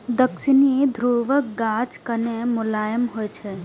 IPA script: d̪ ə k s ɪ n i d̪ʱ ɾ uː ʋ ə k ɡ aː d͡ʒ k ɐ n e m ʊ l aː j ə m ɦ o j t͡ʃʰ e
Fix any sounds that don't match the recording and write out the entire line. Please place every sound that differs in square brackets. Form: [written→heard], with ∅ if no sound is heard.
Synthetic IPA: d̪ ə k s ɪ n i d̪ʱ ɾ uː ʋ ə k ɡ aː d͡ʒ k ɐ n e m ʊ l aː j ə m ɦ o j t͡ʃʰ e